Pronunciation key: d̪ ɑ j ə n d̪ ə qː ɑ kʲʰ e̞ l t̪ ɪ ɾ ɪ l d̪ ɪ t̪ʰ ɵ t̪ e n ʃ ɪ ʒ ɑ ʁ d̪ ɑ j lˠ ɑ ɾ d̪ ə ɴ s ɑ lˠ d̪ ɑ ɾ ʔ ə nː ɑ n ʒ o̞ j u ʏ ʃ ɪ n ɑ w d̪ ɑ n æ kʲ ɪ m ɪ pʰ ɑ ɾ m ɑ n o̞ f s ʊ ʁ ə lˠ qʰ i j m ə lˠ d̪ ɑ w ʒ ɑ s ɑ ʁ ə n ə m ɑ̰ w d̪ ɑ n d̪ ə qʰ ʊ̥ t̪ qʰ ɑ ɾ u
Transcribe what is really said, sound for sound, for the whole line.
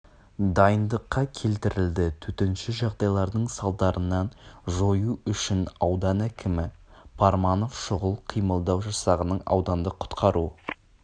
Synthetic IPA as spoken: d̪ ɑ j ə n d̪ ə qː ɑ kʲʰ e̞ l t̪ ɪ ɾ ɪ l d̪ ɪ t̪ʰ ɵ t̪ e n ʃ ɪ ʒ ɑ ʁ d̪ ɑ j lˠ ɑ ɾ d̪ ə ɴ s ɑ lˠ d̪ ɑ ɾ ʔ ə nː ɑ n ʒ o̞ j u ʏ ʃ ɪ n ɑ w d̪ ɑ n æ kʲ ɪ m ɪ pʰ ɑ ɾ m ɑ n o̞ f ʃ ʊ ʁ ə lˠ qʰ i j m ə lˠ d̪ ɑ w ʒ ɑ s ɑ ʁ ə n ə ɴ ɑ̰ w d̪ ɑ n d̪ ə qʰ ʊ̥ t̪ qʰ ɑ ɾ u